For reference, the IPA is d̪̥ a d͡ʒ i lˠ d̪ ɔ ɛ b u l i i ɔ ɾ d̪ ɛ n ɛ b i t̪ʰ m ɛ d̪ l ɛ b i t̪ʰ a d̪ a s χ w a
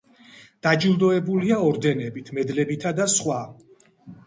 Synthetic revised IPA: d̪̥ a d͡ʒ i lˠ d̪ ɔ ɛ b u l i a ɔ ɾ d̪ ɛ n ɛ b i t̪ʰ m ɛ d̪ l ɛ b i t̪ʰ a d̪ a s χ w a